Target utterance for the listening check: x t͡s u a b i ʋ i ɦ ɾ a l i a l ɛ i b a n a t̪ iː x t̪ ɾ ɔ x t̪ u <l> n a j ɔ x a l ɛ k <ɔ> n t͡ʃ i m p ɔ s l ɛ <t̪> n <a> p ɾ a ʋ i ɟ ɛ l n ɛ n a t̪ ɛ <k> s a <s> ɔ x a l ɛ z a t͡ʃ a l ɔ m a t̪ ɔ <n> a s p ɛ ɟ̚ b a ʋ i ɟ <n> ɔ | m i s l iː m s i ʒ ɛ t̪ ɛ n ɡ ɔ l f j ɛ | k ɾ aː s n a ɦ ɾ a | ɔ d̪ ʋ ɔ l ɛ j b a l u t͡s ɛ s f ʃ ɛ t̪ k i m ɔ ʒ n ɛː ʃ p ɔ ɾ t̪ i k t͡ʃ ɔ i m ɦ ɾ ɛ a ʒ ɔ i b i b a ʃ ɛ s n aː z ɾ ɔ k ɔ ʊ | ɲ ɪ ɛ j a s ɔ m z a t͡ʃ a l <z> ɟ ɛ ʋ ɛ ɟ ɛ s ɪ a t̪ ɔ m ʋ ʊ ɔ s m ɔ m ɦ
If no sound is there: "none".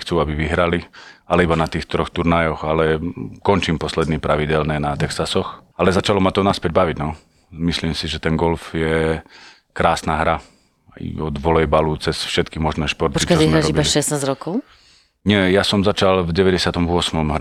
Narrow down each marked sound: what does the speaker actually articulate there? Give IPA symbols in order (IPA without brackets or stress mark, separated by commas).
ɾ, ɔ, d̪, i, k, s, n, n, v